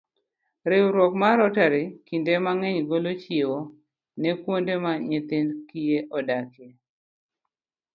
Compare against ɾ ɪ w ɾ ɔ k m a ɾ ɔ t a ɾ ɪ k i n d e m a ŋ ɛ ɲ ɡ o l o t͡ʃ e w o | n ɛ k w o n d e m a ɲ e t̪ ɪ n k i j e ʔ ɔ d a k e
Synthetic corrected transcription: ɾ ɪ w ɾ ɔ k m a ɾ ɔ t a ɾ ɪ k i n d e m a ŋ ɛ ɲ ɡ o l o t͡ʃ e w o | n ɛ k w o n d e m a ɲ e t̪ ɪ n k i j e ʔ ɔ d a k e